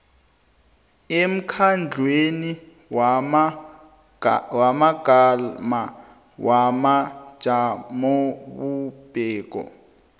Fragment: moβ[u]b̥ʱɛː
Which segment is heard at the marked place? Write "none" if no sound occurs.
u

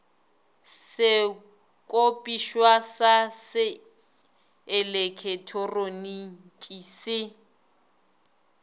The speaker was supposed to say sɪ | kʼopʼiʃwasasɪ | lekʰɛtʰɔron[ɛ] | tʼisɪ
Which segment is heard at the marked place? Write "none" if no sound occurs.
i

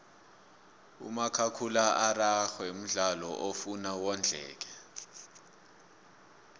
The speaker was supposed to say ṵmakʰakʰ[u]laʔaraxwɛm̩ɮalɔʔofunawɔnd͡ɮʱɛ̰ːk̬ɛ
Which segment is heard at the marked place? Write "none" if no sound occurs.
u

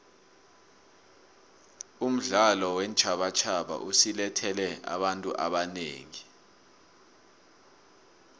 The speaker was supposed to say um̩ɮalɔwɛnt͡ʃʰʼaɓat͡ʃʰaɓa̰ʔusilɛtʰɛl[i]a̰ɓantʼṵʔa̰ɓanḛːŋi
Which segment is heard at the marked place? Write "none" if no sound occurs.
ɛ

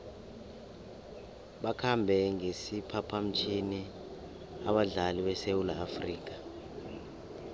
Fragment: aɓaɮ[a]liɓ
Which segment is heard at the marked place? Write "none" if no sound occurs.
a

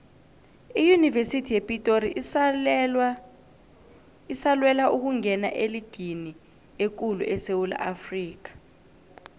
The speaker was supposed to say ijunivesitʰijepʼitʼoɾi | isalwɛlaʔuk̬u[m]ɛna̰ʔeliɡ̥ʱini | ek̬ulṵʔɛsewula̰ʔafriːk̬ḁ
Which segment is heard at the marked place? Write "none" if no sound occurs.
ŋ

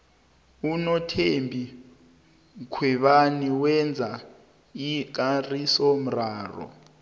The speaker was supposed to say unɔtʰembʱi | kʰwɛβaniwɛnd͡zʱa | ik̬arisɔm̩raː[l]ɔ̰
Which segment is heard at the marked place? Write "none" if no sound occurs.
r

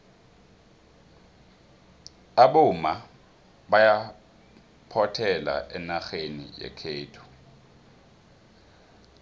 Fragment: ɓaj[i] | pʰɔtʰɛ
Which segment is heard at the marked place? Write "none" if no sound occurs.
a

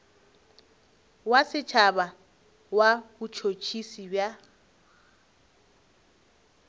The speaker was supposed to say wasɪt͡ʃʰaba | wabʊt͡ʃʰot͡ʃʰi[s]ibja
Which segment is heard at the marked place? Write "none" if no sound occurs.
s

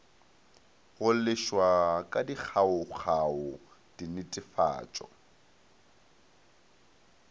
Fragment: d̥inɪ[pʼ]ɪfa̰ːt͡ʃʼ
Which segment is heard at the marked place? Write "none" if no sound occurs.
tʼ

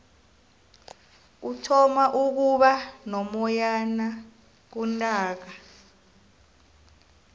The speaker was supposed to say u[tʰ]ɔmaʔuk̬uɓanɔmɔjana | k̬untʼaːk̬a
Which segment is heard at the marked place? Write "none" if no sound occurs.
tʰ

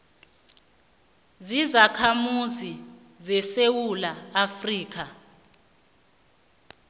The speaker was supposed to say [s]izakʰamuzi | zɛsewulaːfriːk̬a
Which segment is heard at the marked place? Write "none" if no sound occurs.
z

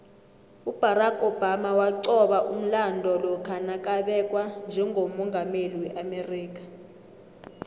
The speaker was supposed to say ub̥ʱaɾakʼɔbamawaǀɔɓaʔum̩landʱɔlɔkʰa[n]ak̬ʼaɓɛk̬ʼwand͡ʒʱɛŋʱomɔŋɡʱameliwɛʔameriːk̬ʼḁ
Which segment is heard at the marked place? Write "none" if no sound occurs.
n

